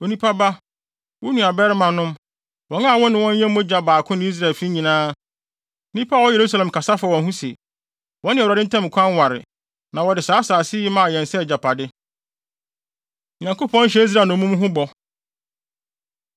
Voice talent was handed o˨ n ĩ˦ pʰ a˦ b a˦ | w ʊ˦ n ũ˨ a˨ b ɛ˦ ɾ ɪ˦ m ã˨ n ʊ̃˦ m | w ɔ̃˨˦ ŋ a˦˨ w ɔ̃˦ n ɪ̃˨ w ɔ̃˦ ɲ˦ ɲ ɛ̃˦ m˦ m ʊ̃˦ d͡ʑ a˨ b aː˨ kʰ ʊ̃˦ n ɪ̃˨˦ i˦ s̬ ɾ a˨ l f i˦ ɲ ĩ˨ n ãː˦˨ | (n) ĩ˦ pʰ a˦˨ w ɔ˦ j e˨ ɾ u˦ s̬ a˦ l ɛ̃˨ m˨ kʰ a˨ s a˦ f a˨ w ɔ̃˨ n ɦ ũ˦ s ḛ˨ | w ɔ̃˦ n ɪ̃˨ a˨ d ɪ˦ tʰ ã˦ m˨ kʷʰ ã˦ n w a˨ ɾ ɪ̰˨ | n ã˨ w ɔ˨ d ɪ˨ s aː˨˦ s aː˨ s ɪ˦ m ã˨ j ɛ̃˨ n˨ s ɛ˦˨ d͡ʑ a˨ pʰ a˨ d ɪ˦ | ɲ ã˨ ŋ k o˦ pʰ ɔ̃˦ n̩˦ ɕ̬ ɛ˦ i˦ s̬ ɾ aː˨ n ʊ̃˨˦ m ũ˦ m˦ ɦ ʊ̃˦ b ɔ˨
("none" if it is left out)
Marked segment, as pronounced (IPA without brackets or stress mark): n